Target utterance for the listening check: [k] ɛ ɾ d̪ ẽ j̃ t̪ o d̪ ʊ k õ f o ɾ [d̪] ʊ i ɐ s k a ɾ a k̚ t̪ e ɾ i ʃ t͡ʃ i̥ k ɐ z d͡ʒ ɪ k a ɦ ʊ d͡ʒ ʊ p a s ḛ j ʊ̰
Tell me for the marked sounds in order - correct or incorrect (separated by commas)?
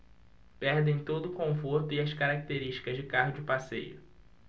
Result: incorrect, incorrect